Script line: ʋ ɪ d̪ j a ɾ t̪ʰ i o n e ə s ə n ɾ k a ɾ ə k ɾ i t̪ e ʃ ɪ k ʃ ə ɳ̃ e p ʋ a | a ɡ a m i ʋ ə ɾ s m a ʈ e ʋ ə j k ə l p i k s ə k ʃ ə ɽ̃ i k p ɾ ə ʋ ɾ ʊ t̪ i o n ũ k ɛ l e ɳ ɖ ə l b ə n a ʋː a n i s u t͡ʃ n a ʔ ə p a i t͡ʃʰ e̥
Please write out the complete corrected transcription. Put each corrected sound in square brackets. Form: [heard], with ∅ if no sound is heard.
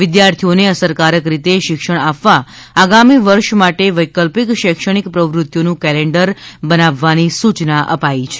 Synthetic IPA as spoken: ʋ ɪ d̪ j a ɾ t̪ʰ i o n e ə s ə [∅] ɾ k a ɾ ə k ɾ i t̪ e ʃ ɪ k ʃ ə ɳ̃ [a] p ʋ a | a ɡ a m i ʋ ə ɾ [ʃ] m a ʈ e ʋ ə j k ə l p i k [ʃ] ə k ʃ ə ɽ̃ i k p ɾ ə ʋ ɾ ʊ t̪ [j] o n ũ k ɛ l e ɳ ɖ ə [ɾ] b ə n a ʋː a n i s u t͡ʃ n a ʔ ə p a i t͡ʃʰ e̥